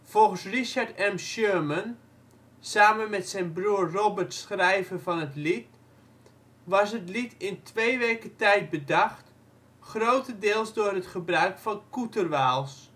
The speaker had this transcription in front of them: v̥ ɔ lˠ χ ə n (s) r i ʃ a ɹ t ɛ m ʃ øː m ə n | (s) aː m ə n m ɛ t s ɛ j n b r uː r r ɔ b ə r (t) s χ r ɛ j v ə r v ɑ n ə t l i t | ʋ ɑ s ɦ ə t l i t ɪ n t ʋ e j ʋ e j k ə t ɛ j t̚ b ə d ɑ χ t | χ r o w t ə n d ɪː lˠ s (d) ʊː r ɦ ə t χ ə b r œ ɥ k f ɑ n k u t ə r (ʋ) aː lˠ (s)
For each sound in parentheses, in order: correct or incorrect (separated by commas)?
correct, correct, correct, correct, correct, correct